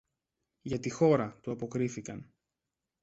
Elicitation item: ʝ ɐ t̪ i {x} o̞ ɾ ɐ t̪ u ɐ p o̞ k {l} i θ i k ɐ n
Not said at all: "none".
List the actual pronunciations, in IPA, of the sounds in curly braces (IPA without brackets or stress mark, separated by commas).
x, ɾ